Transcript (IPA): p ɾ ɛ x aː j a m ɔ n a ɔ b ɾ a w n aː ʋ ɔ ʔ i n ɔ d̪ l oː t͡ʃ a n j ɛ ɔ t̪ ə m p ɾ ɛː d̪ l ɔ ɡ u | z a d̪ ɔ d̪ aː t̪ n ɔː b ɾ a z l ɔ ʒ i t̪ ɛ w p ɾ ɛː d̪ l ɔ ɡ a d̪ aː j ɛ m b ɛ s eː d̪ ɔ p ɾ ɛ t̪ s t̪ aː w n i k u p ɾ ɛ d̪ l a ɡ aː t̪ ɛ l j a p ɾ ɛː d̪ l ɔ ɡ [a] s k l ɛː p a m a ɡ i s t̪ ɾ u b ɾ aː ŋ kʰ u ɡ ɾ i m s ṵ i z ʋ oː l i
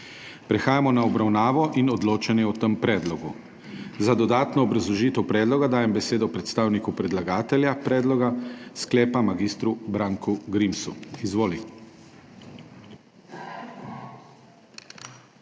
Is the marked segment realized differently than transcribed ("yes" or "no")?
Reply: no